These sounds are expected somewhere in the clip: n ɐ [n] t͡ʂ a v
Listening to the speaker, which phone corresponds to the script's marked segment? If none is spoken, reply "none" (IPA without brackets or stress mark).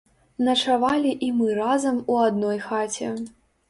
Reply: none